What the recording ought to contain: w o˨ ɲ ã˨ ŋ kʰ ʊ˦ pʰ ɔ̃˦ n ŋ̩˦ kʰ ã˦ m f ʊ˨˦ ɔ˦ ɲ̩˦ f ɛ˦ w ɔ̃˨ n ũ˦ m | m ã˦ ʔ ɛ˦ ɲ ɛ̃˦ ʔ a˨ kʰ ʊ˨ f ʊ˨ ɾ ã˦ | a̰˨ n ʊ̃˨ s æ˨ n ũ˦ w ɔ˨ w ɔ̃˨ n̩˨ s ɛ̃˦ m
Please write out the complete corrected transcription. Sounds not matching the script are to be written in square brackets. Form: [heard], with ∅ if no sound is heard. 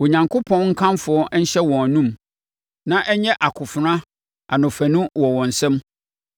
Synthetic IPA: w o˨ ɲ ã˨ ŋ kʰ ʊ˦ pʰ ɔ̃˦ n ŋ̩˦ kʰ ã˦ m f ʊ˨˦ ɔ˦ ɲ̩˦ [ɕ] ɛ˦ w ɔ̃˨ n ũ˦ m | [n] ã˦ ʔ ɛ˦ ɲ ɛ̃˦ ʔ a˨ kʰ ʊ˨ f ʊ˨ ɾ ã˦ | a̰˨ n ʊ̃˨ [f] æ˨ n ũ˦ w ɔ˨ w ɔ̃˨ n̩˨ s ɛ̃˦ m